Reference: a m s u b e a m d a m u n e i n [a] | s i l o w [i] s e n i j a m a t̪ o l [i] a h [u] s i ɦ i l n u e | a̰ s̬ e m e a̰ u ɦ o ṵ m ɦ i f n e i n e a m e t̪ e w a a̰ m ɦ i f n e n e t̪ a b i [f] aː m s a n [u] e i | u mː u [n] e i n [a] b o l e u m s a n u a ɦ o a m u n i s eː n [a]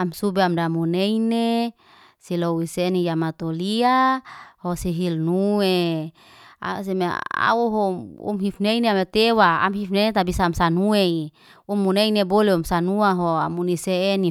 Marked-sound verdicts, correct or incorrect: incorrect: e, correct, correct, incorrect: o, incorrect: s, correct, correct, incorrect: e, incorrect: i

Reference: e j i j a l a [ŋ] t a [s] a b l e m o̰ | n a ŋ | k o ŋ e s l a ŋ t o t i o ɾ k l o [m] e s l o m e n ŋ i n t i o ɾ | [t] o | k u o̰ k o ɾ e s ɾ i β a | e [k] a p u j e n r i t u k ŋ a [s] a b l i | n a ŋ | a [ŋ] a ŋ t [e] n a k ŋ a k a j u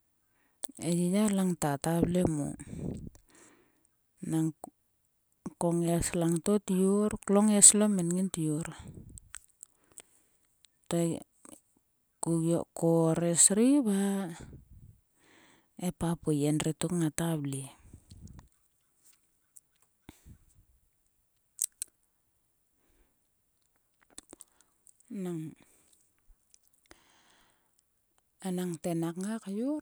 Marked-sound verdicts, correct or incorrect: correct, incorrect: t, incorrect: ŋ, correct, incorrect: p, incorrect: t, incorrect: n, correct

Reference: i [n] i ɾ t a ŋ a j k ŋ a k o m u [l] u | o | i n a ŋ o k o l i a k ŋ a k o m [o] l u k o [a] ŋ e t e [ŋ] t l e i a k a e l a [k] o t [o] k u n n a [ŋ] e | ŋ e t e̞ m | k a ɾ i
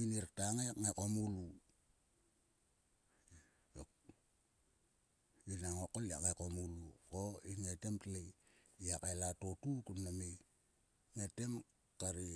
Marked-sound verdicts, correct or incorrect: correct, correct, incorrect: u, incorrect: i, incorrect: m, incorrect: t, incorrect: u, incorrect: m

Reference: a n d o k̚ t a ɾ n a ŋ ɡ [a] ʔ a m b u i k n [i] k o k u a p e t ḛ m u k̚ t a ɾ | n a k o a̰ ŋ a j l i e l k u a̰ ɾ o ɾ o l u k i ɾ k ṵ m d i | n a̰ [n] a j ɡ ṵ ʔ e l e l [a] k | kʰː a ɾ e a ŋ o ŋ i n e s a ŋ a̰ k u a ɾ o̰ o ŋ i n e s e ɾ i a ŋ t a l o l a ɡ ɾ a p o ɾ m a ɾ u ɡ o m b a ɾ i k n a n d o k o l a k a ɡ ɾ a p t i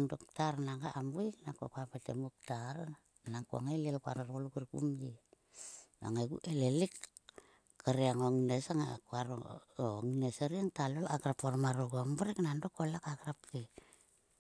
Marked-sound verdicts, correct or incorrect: correct, incorrect: a, incorrect: ŋ, incorrect: i

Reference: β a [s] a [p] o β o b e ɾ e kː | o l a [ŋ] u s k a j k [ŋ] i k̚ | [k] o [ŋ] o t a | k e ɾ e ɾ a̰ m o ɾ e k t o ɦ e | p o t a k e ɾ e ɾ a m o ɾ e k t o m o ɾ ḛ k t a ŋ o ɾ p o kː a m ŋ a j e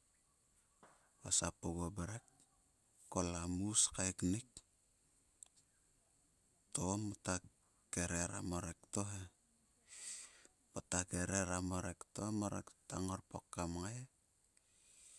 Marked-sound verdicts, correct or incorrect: correct, correct, incorrect: m, incorrect: n, incorrect: t, incorrect: m

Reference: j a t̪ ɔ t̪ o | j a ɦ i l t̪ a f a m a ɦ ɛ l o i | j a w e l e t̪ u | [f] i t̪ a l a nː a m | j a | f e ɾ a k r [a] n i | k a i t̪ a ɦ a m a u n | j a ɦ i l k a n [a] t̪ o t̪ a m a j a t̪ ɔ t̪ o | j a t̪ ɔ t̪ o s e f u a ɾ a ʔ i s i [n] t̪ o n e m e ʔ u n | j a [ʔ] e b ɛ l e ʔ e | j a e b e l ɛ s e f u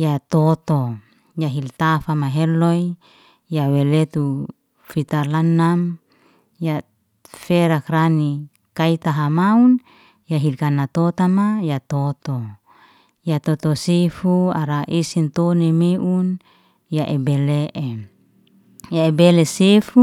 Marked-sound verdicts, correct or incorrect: correct, correct, correct, correct, correct

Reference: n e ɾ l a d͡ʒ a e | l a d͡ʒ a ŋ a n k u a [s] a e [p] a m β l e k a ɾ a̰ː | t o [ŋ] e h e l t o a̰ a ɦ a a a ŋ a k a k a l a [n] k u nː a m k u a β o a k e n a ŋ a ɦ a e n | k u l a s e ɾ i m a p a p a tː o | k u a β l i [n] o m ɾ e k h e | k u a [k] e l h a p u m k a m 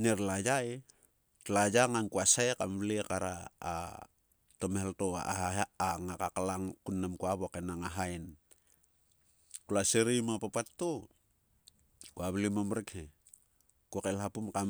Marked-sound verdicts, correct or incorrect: correct, incorrect: k, incorrect: m, incorrect: ŋ, incorrect: m, correct

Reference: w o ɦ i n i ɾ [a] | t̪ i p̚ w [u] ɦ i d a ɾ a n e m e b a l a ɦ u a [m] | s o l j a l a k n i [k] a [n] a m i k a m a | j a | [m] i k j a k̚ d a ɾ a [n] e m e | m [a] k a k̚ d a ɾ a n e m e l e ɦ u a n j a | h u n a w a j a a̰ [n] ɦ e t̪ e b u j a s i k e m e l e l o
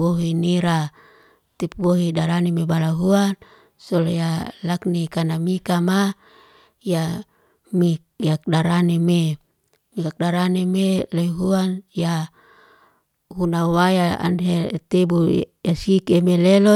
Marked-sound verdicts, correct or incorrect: correct, incorrect: o, incorrect: n, correct, correct, correct, correct, incorrect: i, correct

